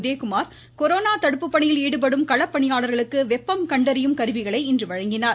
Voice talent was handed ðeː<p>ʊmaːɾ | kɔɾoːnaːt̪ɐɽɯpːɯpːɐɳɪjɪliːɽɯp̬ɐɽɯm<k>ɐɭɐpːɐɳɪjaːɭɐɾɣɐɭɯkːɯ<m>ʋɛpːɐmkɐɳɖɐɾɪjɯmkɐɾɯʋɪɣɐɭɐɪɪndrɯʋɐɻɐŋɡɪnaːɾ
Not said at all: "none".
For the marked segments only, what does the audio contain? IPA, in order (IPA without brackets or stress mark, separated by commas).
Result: k, k, none